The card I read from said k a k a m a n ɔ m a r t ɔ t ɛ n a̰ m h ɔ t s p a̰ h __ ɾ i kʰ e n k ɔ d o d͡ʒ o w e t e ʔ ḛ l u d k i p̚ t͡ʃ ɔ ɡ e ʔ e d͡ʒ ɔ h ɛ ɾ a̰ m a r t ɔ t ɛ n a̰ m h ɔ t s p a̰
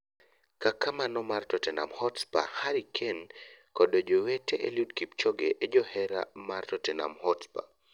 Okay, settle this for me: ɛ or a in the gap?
a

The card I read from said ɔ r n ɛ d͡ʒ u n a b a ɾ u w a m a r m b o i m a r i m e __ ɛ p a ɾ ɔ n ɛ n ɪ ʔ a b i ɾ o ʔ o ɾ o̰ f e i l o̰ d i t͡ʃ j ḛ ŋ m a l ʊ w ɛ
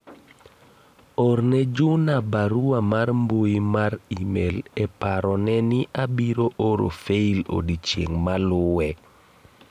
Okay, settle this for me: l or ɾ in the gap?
l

